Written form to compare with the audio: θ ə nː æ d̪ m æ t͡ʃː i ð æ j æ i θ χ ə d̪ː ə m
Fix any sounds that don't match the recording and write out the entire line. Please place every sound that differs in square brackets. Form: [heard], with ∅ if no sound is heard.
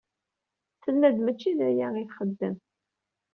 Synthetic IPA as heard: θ ə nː æ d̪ m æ t͡ʃː i ð æ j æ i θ χ ə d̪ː ə m